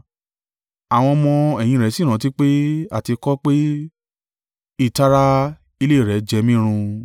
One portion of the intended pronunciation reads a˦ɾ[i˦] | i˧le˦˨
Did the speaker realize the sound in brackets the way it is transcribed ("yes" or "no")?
no